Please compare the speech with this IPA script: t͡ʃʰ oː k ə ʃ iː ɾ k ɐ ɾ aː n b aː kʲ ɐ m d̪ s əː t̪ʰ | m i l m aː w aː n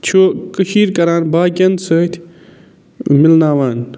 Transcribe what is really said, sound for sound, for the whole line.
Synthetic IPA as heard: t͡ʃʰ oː k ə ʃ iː ɾ k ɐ ɾ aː n b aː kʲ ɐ n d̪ s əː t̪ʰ | m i l n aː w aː n